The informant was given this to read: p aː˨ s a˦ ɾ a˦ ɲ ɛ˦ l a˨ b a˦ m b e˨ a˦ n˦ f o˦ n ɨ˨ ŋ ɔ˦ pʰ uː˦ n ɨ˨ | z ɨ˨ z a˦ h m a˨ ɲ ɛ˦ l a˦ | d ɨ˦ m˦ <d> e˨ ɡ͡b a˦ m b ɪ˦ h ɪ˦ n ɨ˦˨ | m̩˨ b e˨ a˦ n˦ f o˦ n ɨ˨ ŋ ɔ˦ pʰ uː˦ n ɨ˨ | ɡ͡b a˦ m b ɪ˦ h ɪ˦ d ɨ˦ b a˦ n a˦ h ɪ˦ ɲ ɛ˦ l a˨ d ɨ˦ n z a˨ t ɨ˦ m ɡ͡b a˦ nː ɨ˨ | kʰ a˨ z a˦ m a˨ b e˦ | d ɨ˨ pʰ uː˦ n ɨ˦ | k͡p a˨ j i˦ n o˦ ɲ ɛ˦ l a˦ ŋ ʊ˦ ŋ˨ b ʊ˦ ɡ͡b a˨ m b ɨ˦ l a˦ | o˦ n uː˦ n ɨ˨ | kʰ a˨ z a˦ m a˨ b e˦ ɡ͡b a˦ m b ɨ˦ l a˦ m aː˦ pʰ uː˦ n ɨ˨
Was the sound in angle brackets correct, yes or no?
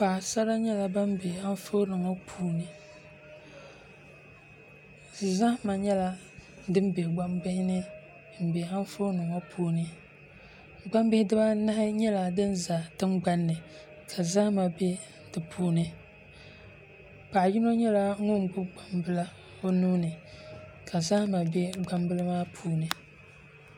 no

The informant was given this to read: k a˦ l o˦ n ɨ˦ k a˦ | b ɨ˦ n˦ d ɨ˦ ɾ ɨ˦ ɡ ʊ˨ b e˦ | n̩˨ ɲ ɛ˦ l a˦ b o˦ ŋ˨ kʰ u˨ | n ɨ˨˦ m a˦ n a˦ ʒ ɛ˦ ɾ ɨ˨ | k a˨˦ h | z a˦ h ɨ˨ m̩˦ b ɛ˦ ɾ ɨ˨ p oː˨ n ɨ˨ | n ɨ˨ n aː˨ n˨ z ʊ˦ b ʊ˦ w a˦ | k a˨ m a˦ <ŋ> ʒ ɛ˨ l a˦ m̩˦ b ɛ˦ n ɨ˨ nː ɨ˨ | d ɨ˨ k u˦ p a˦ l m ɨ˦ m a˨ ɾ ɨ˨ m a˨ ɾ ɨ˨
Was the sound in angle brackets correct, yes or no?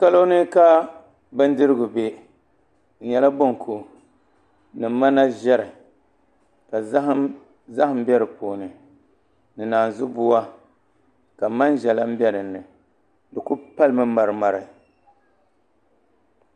no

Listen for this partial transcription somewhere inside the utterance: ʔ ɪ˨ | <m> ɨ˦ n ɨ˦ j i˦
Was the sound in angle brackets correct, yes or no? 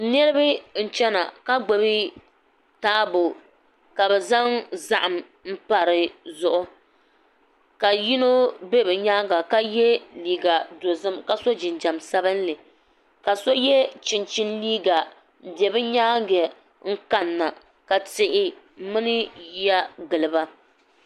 yes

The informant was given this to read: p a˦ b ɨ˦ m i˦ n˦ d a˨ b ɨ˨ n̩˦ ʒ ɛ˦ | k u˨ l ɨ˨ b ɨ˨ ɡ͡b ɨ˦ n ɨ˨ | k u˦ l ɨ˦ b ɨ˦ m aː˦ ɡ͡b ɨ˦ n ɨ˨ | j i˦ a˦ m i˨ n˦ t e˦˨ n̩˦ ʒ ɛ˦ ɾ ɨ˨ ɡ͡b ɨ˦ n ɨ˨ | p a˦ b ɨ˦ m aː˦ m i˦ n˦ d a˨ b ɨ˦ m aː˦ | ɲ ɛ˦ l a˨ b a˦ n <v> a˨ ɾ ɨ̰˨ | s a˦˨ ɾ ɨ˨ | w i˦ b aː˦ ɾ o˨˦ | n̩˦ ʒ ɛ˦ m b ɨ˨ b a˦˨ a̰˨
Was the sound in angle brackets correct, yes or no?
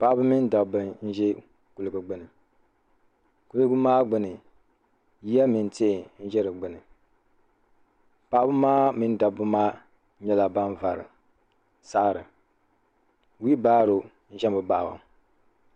yes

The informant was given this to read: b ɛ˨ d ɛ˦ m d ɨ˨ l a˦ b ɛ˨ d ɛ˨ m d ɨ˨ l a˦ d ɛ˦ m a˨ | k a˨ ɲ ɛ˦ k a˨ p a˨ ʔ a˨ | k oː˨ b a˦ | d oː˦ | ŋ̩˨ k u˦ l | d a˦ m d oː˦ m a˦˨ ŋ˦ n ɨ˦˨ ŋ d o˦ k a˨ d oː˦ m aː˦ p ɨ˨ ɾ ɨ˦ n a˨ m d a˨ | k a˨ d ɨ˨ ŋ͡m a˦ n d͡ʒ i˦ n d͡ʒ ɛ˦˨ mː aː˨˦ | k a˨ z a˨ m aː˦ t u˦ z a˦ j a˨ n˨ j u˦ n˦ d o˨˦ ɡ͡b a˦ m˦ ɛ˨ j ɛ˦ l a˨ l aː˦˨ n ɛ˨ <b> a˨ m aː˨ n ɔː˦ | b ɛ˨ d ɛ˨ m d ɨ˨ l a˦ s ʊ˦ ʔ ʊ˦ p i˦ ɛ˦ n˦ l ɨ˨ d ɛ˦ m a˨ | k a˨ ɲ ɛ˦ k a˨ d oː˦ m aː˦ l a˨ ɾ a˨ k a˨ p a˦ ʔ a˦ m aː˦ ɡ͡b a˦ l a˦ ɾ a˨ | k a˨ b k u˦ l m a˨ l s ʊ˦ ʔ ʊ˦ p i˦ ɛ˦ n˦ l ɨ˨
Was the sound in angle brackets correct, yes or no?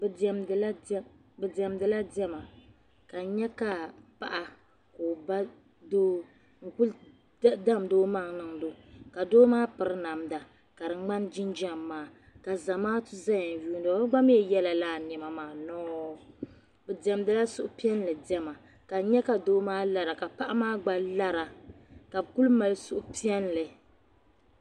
no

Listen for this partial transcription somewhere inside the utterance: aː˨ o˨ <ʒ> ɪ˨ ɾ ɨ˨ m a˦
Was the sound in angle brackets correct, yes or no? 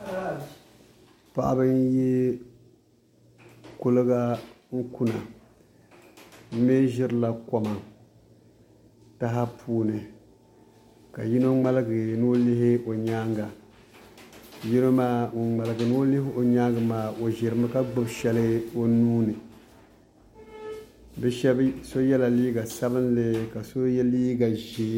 yes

